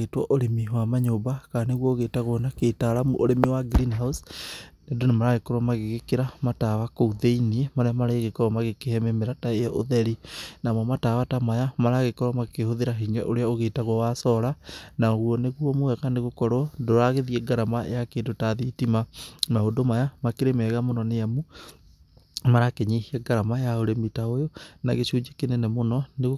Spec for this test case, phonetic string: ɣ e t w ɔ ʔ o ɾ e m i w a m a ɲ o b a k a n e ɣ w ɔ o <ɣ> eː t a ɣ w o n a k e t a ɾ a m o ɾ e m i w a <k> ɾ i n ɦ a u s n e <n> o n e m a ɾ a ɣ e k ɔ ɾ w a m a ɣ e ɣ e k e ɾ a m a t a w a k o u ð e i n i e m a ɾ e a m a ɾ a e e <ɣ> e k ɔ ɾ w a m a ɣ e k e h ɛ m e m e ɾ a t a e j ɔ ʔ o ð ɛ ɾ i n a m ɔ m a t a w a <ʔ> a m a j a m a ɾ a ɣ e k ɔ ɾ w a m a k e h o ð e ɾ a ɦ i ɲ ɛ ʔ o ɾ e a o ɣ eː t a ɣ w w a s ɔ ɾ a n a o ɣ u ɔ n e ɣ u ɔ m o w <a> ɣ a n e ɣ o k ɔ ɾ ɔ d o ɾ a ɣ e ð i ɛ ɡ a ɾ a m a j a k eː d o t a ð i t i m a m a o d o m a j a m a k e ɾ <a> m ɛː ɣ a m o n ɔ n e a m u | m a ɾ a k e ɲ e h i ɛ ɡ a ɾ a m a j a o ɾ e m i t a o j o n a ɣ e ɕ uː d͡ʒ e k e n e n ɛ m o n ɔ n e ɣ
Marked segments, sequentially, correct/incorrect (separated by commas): correct, incorrect, incorrect, correct, incorrect, incorrect, incorrect